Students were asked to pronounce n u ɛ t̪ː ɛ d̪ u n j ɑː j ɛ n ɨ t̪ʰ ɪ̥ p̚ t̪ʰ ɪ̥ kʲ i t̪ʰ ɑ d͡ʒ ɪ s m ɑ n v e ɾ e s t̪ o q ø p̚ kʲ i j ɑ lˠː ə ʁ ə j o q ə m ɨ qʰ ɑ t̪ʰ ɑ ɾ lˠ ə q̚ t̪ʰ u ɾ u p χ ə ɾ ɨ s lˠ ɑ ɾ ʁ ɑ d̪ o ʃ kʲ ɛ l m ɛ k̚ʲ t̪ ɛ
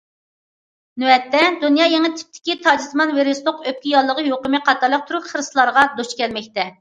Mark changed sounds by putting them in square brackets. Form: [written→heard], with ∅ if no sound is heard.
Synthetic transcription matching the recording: n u ɛ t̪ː ɛ d̪ u n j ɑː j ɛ [n→ŋ] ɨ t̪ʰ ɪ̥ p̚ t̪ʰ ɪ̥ kʲ i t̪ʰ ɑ d͡ʒ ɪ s m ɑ n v e ɾ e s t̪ o q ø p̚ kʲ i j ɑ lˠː ə ʁ ə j o q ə m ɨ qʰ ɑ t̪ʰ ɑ ɾ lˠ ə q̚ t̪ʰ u ɾ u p χ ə ɾ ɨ s lˠ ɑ ɾ ʁ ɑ d̪ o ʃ kʲ ɛ l m ɛ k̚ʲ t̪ ɛ